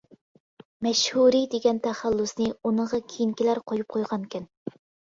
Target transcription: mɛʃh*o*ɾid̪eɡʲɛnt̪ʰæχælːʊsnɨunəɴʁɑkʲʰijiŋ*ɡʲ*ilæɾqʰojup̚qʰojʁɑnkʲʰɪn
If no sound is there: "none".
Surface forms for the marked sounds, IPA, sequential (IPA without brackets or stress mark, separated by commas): u, kʲ